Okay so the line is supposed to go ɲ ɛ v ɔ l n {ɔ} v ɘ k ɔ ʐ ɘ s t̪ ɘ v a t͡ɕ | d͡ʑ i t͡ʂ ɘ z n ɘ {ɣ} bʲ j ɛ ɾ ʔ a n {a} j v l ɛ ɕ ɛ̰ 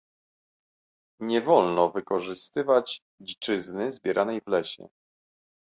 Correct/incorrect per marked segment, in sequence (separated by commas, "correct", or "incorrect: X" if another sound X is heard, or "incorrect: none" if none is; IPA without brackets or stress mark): correct, incorrect: z, incorrect: ɛ